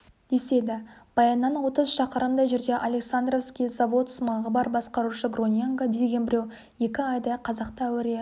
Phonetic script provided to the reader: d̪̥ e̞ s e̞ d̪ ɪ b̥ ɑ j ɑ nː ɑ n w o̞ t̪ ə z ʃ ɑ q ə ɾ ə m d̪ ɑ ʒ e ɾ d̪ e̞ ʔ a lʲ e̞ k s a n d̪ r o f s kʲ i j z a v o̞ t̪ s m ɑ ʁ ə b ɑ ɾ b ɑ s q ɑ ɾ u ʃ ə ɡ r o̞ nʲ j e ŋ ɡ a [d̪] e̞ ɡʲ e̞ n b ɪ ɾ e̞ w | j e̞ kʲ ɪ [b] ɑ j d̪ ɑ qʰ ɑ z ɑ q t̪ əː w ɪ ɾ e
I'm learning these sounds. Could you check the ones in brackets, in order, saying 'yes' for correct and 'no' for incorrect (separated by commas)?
yes, no